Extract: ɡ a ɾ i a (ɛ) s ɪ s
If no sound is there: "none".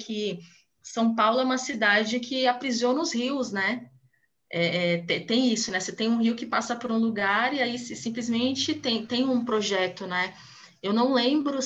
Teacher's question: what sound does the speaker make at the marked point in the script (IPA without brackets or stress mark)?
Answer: i